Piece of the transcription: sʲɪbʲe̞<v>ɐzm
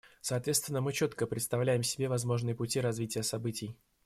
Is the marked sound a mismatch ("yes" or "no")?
no